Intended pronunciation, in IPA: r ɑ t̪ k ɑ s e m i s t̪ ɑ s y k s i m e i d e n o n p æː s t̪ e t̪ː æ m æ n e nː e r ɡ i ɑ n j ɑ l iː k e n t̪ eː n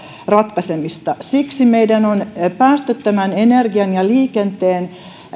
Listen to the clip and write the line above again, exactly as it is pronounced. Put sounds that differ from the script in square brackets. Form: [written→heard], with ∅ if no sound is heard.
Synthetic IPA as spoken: r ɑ t̪ k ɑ s e m i s t̪ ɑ s [y→i] k s i m e i d [e→æ] n o n p æː s t̪ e t̪ː æ m æ n e [nː→n] e r ɡ i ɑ n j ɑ l iː k e n t̪ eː n